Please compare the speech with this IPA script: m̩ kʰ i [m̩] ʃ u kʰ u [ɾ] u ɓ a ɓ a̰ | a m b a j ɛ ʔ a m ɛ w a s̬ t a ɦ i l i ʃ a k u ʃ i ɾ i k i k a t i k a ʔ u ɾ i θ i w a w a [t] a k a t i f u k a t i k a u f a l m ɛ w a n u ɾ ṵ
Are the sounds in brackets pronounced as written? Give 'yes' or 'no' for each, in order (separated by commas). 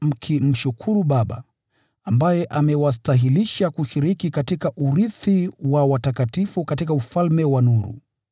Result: yes, yes, yes